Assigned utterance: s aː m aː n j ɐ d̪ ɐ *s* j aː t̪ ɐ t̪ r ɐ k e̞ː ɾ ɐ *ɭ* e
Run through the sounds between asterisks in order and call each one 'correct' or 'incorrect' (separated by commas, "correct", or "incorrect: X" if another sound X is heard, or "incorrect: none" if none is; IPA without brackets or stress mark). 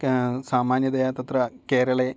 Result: incorrect: none, correct